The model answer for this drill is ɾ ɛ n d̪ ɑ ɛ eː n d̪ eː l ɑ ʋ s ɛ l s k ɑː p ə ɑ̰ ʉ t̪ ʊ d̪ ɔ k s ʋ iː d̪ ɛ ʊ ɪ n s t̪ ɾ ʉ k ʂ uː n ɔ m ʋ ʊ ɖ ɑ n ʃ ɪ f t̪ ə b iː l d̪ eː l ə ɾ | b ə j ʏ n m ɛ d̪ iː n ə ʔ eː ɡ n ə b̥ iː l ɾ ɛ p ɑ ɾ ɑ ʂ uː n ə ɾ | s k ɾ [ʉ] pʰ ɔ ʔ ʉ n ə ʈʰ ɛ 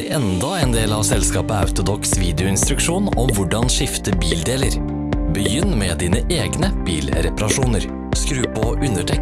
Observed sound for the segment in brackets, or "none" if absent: ʉː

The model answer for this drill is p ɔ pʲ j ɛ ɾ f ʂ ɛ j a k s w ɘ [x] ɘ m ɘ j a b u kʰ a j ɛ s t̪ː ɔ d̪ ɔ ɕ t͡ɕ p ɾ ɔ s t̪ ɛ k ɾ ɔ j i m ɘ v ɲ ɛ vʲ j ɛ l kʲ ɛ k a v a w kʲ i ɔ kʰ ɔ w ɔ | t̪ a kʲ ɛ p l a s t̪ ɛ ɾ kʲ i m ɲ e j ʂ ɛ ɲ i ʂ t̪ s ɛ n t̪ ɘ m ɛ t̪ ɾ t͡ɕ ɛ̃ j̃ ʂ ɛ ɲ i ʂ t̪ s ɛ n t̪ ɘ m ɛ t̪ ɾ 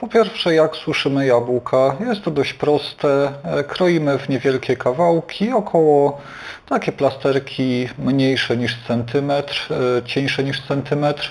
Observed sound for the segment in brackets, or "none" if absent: ʂ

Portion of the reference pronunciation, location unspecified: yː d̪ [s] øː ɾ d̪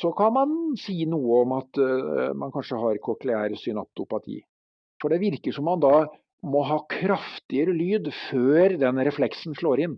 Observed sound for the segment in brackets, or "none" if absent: f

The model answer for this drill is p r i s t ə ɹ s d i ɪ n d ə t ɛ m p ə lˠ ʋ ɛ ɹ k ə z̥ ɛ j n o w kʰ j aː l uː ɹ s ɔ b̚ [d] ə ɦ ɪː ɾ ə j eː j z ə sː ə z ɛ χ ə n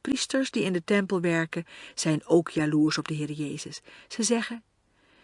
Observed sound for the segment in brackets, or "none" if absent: d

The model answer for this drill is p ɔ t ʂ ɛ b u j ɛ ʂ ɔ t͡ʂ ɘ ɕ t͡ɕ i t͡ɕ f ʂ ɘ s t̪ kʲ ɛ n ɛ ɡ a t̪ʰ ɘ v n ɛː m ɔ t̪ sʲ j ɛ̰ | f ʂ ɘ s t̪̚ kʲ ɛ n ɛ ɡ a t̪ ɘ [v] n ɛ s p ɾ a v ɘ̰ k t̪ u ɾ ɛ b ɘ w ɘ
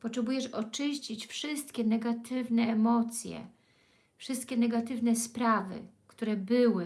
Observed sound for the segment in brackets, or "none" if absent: v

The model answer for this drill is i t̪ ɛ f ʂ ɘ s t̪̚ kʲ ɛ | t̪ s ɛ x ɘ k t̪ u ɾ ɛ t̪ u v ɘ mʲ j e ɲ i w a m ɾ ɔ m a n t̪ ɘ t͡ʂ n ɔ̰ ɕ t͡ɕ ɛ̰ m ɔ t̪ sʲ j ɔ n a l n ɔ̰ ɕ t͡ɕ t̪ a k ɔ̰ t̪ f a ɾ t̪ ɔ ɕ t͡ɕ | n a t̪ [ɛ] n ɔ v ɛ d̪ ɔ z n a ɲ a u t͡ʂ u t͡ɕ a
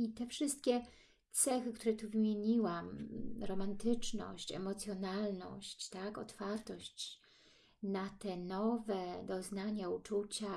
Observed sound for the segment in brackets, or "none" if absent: ɛ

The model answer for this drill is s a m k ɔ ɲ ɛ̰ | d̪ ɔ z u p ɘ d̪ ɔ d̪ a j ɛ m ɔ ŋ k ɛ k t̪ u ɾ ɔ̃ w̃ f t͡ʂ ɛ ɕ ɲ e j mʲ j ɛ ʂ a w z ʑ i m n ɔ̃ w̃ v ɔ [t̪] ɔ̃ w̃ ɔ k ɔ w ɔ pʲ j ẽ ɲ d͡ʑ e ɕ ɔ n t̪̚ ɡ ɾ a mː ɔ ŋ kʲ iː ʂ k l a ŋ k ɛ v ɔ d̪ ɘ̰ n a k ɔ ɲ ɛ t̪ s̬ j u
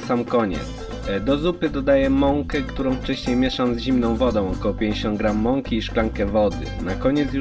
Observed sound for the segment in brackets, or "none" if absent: d̪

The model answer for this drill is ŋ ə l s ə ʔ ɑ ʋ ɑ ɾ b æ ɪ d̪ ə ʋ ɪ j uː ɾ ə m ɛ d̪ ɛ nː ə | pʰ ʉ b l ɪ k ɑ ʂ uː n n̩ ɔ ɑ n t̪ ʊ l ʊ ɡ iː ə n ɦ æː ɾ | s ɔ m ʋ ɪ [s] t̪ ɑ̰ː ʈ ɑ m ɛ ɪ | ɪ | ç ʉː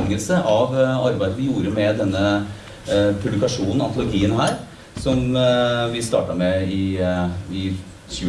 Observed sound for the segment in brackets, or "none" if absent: s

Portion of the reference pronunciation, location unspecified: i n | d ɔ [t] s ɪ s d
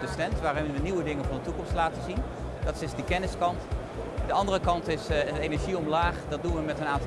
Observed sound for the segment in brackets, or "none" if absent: t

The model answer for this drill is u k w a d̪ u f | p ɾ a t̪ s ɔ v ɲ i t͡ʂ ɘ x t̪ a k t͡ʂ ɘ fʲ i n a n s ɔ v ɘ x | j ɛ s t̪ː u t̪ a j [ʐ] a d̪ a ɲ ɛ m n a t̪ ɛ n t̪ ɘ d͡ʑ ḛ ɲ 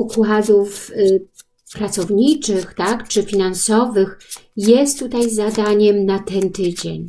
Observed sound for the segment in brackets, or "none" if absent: z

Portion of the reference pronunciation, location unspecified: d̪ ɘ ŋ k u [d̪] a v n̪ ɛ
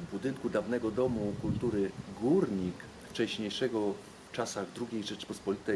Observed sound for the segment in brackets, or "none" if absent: d̪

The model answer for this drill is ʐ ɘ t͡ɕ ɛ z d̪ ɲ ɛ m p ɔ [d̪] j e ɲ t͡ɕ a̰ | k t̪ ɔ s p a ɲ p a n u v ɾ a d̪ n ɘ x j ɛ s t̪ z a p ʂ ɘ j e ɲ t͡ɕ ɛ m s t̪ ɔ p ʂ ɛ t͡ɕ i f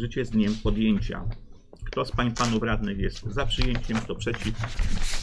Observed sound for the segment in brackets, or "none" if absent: d̪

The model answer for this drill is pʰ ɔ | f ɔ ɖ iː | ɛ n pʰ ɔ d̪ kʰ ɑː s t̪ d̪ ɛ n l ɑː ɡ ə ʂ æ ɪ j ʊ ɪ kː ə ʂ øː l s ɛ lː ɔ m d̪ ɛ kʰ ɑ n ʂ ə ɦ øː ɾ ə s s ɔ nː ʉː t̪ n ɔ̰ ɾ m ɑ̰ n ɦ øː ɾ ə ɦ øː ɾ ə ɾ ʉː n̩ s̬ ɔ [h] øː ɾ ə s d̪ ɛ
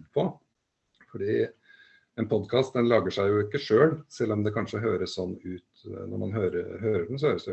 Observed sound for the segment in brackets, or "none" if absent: h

